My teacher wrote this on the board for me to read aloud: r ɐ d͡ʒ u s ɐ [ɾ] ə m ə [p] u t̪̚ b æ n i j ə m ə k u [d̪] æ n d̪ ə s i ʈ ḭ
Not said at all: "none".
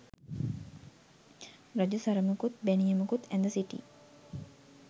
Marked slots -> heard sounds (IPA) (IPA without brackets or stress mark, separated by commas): ɾ, k, t̪